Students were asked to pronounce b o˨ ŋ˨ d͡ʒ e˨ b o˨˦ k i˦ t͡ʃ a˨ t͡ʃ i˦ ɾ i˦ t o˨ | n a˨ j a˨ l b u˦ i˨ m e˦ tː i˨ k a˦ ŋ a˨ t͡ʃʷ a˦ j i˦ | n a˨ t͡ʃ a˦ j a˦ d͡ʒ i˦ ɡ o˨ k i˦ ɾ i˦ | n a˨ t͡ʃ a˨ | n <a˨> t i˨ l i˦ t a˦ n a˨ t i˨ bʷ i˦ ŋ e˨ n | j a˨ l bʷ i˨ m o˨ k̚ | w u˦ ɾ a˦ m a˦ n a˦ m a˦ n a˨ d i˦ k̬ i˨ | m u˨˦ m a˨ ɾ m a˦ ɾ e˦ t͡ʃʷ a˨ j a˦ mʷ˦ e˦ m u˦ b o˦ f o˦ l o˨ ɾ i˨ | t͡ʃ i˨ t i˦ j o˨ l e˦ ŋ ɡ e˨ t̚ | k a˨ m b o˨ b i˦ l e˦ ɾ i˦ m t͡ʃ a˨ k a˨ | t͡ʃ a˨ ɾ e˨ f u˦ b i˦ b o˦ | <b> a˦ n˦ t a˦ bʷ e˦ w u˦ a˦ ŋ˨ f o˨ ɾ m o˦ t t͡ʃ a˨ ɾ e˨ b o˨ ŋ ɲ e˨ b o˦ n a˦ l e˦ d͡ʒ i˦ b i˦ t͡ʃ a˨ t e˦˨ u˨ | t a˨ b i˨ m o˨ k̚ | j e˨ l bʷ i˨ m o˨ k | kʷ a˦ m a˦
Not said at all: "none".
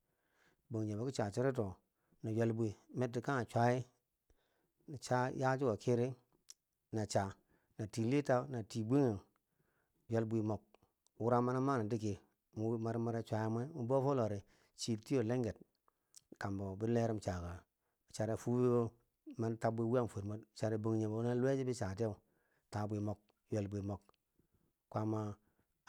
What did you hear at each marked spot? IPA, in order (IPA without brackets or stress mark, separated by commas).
a˨, m